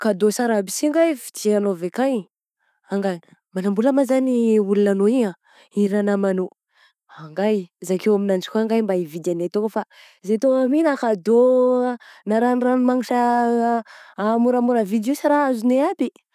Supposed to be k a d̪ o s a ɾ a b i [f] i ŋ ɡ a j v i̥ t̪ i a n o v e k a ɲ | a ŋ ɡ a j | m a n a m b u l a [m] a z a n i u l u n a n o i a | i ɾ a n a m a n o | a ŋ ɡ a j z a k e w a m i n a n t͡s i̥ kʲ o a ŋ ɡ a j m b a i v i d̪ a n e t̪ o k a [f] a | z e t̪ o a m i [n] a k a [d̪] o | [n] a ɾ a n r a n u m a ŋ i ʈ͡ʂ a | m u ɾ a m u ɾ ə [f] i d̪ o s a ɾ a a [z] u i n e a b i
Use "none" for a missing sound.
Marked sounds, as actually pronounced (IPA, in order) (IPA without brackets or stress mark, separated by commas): s, m, f, n, d̪, n, v, z